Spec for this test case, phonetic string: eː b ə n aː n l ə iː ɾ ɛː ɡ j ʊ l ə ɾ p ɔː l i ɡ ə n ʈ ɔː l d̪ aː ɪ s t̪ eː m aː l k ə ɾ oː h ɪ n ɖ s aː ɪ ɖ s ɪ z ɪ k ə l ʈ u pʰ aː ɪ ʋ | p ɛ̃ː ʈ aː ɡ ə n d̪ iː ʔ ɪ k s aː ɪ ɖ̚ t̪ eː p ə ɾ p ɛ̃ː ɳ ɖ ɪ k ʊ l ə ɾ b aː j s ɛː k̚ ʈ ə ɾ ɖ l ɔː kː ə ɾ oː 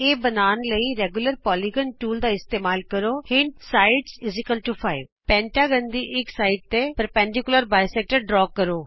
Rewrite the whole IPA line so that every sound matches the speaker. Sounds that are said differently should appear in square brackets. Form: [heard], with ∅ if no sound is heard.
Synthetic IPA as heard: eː b ə n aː n l ə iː ɾ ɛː ɡ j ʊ l ə ɾ p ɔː l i ɡ ə n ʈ [uː] l d̪ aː ɪ s t̪ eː m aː l k ə ɾ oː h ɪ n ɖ s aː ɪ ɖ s ɪ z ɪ k ə l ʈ u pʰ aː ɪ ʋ | p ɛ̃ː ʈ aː ɡ ə n d̪ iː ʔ ɪ k s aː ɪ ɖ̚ t̪ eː p ə ɾ p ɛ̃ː ɳ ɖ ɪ k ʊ l ə ɾ b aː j s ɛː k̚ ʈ ə ɾ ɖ [ɾ] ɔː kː ə ɾ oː